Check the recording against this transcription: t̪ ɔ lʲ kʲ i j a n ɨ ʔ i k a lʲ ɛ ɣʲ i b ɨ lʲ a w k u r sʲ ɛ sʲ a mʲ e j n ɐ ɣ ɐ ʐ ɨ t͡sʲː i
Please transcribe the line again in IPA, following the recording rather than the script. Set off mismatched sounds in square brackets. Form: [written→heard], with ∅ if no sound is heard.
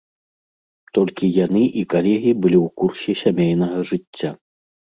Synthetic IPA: t̪ ɔ lʲ kʲ i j a n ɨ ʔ i k a lʲ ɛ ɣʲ i b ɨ lʲ [a→i] w k u r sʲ ɛ sʲ a mʲ e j n ɐ ɣ ɐ ʐ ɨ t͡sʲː [i→a]